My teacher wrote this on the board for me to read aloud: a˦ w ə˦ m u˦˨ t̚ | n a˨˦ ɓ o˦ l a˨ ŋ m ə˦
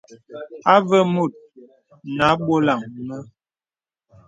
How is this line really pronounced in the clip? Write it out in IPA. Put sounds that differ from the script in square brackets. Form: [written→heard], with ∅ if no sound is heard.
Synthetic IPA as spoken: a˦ [w→v] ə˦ m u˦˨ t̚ | n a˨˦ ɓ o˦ l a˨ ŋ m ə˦